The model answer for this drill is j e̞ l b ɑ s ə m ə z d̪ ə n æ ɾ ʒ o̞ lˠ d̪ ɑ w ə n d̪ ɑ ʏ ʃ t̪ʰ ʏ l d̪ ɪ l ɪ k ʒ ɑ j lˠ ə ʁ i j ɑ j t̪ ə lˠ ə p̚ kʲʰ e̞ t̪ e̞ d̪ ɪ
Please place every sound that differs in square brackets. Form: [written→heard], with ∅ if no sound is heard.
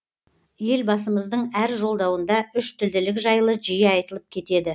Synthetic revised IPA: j e̞ l b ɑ s ə m ə z d̪ ə [n→ɴ] æ ɾ ʒ o̞ lˠ d̪ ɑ w ə n d̪ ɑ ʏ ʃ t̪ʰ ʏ l d̪ ɪ l ɪ k ʒ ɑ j lˠ ə [ʁ→ʒ] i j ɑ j t̪ ə lˠ ə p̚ kʲʰ e̞ t̪ e̞ d̪ ɪ